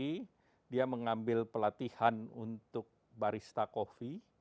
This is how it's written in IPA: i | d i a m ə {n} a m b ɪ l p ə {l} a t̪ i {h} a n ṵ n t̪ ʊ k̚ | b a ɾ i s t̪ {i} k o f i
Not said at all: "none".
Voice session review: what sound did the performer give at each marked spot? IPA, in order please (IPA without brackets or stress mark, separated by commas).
ŋ, l, h, a